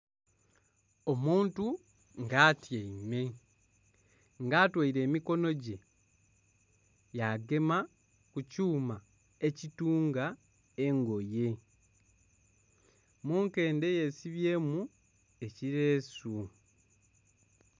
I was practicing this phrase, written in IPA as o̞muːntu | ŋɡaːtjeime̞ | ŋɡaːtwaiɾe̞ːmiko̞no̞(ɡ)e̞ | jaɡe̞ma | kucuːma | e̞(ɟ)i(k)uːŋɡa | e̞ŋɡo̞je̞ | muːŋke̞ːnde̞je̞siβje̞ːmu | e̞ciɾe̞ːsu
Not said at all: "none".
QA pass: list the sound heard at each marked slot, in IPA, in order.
ɟ, c, t

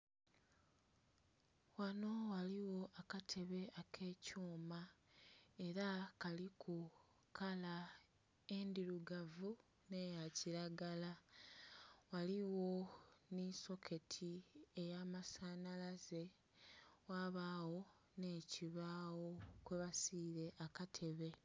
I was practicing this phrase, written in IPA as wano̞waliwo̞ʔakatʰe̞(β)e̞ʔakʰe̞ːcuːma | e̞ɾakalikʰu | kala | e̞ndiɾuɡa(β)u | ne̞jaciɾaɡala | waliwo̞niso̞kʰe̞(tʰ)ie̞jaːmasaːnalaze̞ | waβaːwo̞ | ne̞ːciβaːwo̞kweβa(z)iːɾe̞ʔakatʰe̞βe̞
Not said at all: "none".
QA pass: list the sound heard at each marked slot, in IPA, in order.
β, v, tʰ, s

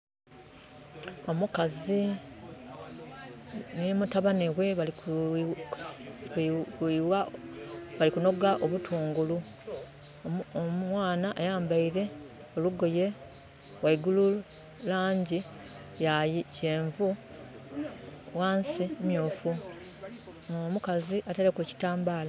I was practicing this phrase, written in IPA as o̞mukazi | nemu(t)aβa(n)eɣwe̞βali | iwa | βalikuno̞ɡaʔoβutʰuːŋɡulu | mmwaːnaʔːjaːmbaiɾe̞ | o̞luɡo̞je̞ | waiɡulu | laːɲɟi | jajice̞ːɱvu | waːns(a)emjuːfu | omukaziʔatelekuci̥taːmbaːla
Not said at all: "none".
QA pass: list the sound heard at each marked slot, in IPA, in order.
t, n, i

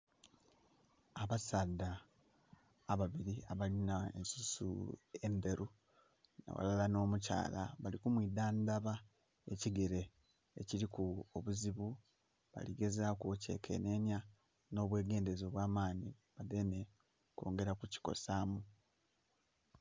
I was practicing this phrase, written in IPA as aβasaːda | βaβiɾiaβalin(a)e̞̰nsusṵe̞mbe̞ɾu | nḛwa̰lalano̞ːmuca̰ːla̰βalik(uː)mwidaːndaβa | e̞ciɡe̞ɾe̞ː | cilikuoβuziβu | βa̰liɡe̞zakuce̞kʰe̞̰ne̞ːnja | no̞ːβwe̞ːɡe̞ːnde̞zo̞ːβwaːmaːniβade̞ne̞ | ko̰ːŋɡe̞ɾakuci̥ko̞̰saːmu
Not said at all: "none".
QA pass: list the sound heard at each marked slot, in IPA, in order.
a, u

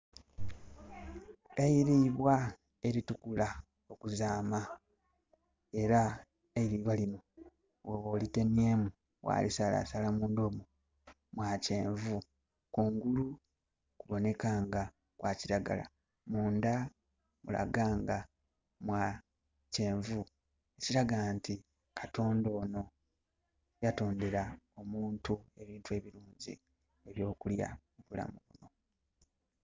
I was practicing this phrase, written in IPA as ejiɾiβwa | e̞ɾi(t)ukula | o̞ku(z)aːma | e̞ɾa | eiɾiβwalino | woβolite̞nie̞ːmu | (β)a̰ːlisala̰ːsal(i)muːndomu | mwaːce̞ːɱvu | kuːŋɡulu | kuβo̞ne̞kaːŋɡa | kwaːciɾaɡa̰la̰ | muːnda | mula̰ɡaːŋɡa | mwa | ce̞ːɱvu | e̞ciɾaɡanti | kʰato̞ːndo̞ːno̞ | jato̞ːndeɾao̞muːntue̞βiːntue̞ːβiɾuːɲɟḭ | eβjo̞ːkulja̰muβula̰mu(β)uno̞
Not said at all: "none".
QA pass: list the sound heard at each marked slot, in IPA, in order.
t, z, w, a, β

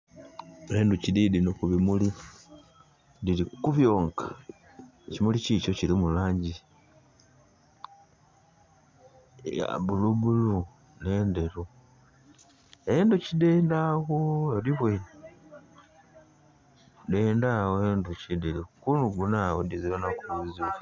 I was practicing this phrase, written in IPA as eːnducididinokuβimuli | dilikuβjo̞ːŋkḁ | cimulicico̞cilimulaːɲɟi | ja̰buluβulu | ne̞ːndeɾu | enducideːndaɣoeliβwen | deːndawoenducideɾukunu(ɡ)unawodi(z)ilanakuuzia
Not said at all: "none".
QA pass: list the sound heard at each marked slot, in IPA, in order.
ɡ, z

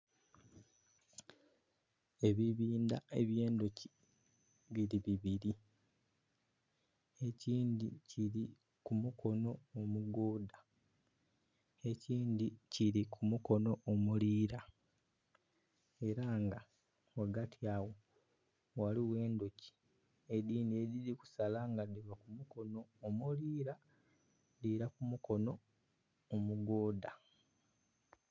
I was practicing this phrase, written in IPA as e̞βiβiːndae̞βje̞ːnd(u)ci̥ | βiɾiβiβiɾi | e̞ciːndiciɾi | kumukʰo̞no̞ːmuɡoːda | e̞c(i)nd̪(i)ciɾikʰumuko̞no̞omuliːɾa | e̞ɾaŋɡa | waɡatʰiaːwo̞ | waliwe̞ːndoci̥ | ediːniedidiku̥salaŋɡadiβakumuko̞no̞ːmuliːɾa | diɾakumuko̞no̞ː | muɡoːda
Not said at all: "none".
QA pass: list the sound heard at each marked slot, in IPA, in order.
o, iː, i

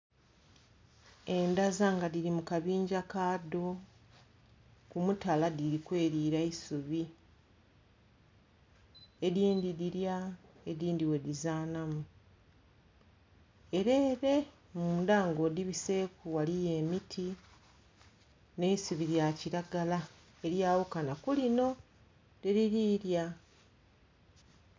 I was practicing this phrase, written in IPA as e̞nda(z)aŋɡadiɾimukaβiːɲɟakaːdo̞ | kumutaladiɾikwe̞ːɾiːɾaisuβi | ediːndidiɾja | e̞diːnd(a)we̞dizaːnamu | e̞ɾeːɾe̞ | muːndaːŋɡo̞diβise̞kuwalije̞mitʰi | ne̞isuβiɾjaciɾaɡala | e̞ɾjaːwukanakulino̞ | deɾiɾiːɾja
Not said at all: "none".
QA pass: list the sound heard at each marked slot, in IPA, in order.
z, i

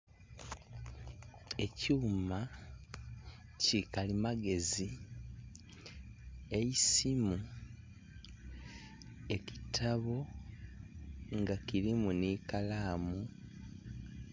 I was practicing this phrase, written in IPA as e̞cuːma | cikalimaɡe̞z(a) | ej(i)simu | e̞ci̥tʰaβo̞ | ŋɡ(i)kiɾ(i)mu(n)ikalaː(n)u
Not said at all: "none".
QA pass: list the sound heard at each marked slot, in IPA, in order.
i, i, a, i, n, m

